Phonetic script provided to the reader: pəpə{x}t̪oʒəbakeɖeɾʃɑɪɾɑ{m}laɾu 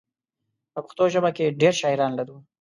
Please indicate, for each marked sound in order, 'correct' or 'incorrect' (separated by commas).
correct, incorrect